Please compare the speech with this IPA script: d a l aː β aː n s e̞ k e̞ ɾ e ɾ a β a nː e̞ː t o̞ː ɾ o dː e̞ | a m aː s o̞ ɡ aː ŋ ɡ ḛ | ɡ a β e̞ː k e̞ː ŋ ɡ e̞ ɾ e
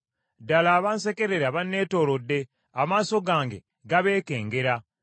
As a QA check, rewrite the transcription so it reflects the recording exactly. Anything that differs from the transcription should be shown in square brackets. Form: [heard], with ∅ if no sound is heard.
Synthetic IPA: d a l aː β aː n s e̞ k e̞ ɾ e ɾ a β a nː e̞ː t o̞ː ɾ o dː e̞ | a m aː s o̞ ɡ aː ŋ ɡ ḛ | ɡ a β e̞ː k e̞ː ŋ ɡ e̞ ɾ [a]